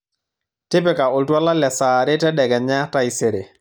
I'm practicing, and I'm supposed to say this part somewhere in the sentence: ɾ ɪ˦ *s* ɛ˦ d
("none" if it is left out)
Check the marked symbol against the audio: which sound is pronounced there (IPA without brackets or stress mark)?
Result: t